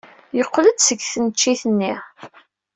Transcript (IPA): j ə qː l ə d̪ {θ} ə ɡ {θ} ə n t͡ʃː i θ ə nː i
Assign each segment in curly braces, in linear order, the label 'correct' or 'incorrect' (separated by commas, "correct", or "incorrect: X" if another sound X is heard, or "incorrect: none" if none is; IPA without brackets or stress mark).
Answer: incorrect: s, correct